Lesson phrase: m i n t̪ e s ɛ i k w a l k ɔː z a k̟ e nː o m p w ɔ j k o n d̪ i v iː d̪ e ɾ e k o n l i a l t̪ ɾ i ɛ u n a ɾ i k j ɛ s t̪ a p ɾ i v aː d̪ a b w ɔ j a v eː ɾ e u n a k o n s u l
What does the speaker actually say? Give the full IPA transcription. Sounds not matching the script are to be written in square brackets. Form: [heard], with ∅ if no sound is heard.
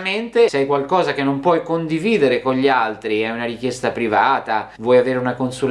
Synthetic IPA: m [e] n t̪ e s ɛ [j] k w a l k ɔː z a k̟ e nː o m p w ɔ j k o n d̪ i v iː d̪ e ɾ e k o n [ʎ] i a l t̪ ɾ i ɛ u n a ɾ i k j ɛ s t̪ a p ɾ i v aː [t̪] a [v] w ɔ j a v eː ɾ e u n a k o n s u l